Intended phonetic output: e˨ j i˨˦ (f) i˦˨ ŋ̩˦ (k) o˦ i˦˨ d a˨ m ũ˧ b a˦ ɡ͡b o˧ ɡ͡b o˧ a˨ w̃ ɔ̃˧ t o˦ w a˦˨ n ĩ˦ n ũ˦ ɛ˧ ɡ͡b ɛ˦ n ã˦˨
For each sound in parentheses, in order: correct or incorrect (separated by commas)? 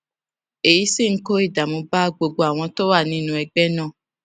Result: incorrect, correct